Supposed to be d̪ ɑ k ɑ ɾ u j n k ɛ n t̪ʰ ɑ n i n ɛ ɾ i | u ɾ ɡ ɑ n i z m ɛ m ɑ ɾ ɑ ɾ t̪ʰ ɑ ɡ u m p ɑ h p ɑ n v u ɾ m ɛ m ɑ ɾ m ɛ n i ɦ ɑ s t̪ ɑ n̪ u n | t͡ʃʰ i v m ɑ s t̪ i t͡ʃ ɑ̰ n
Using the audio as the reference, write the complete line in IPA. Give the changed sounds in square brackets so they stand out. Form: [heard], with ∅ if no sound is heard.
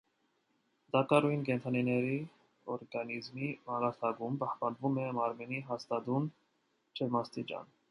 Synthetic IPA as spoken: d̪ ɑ k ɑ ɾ u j n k ɛ n t̪ʰ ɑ n i n ɛ ɾ i | [ɔ] ɾ ɡ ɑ n i z m [i] m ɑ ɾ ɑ ɾ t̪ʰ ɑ ɡ u m p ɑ h p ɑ n v u [∅] m ɛ m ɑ ɾ m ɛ n i ɦ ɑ s t̪ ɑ [d̪] u n | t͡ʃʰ [ɛ] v m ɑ s t̪ i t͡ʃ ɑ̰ n